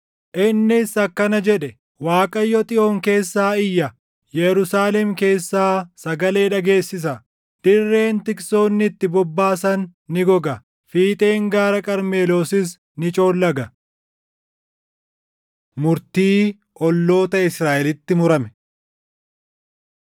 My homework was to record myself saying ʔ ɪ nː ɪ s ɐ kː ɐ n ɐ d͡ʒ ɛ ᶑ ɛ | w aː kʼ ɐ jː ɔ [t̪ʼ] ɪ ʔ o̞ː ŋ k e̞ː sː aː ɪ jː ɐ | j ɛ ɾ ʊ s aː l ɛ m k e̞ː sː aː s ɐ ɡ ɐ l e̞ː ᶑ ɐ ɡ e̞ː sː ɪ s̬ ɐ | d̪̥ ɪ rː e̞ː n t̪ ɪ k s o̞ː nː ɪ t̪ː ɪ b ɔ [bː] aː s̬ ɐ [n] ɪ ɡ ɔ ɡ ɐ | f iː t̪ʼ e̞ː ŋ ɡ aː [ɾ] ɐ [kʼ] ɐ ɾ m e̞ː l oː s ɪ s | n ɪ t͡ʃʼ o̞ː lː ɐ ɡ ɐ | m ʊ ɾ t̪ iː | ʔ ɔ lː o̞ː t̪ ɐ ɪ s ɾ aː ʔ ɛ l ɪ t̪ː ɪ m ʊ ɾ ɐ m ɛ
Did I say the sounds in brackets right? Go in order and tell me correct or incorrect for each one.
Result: correct, correct, incorrect: nː, correct, correct

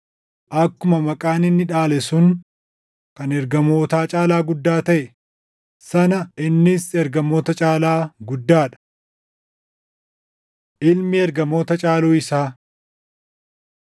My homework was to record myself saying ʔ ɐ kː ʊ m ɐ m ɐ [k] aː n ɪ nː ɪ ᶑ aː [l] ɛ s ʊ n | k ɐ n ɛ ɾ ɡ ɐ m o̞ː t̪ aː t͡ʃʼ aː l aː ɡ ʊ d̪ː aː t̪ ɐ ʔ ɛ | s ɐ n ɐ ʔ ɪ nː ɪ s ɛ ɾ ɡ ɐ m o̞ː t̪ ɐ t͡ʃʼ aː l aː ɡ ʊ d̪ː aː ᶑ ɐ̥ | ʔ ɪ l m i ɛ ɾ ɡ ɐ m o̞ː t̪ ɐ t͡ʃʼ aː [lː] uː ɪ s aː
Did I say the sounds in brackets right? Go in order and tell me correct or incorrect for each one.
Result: incorrect: kʼ, correct, incorrect: l

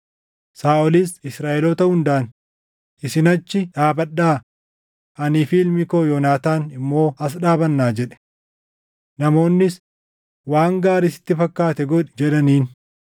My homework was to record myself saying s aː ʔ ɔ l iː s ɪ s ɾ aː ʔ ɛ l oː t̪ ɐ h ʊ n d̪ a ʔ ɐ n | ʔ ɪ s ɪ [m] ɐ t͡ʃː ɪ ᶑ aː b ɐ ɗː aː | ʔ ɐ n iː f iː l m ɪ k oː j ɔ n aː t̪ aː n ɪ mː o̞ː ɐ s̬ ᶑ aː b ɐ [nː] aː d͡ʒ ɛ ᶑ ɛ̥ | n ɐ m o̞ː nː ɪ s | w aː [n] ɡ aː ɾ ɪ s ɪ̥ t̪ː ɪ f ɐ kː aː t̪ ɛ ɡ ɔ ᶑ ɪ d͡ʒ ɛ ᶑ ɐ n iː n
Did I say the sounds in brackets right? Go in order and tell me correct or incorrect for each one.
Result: incorrect: n, correct, incorrect: ŋ

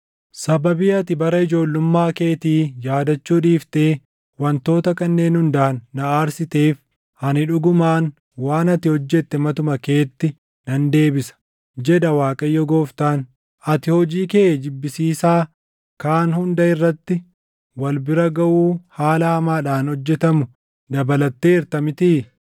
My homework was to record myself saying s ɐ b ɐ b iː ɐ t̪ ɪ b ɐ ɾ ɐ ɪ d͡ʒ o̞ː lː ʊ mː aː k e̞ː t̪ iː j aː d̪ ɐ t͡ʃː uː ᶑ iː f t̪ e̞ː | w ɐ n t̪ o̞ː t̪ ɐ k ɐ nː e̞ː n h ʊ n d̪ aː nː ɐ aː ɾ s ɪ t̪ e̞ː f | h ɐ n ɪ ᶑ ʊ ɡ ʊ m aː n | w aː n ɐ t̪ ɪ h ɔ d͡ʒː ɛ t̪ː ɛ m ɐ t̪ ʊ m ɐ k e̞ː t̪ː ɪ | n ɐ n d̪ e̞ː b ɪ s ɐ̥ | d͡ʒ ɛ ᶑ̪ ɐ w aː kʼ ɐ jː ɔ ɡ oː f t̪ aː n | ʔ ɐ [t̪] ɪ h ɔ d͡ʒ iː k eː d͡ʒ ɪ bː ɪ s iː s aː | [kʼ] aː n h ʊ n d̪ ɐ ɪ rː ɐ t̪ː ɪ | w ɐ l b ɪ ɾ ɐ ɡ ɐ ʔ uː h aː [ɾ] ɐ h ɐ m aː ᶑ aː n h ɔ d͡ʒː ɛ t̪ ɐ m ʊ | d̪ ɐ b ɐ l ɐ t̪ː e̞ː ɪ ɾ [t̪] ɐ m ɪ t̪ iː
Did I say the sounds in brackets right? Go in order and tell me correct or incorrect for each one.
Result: correct, incorrect: k, incorrect: l, correct

